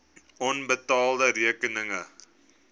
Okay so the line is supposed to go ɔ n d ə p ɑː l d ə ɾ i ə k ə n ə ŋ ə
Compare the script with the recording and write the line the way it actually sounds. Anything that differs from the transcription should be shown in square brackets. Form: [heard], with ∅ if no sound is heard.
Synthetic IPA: ɔ n [b] ə [t] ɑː l d ə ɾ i ə k ə n ə ŋ ə